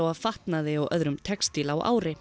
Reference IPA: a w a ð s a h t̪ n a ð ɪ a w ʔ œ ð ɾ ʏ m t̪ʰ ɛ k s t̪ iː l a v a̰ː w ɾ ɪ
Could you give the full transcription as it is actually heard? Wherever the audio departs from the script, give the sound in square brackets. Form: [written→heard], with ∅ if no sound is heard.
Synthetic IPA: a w a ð [s→f] a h t̪ n a ð ɪ a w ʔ œ ð ɾ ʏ m t̪ʰ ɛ k s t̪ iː l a [v→w] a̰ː w ɾ ɪ